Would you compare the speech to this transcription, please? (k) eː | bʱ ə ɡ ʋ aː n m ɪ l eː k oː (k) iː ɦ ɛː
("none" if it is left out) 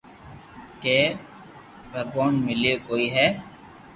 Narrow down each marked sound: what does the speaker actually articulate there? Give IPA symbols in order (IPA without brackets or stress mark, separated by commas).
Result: k, none